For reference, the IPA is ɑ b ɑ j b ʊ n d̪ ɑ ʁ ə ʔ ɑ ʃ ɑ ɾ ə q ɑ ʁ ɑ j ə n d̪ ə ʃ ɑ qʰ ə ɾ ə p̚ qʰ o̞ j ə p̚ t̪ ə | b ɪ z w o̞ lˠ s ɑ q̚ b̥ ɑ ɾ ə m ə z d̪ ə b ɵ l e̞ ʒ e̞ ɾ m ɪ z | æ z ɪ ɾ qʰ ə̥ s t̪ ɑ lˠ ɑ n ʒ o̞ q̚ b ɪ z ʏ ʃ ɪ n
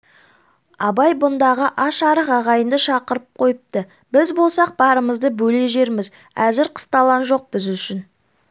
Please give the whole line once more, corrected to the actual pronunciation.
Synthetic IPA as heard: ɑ b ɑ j b ʊ n d̪ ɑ ʁ ə ʔ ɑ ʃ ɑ ɾ ə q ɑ ʁ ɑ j ə n d̪ ə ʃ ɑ q ə ɾ ə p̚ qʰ o̞ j ə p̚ t̪ ə | b ɪ z b o̞ lˠ s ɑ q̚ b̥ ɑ ɾ ə m ə z d̪ ə b ɵ l e̞ ʒ e̞ ɾ m ɪ z | æ z ɪ ɾ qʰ ə̥ s t̪ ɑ lˠ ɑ n ʒ o̞ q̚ b ɪ z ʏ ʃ ɪ n